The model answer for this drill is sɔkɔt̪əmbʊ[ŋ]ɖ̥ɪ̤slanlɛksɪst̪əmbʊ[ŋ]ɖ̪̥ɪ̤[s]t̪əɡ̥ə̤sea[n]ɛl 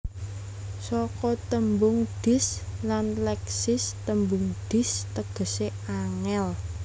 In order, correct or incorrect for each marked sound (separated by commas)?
correct, correct, correct, incorrect